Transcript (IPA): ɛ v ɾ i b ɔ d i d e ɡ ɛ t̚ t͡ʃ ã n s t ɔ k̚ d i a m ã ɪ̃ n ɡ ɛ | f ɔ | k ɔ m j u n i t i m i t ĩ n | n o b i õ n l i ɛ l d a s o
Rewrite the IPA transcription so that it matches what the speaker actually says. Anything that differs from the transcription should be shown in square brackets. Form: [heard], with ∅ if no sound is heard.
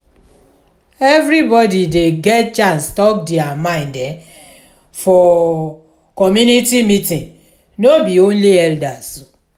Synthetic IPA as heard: ɛ v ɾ i b ɔ d i d e ɡ ɛ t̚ t͡ʃ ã n s t ɔ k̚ d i a m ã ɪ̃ n [d] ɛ | f ɔ | k ɔ m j u n i t i m i t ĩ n | n o b i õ n l i ɛ l d a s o